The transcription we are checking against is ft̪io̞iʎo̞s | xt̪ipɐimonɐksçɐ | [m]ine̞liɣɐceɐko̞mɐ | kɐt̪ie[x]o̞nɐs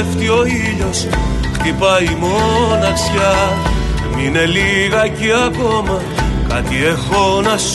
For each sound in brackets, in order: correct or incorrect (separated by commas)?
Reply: correct, correct